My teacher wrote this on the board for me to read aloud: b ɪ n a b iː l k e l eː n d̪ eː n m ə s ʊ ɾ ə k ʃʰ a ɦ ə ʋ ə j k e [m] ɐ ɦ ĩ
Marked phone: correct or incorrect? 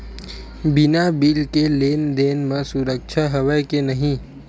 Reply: incorrect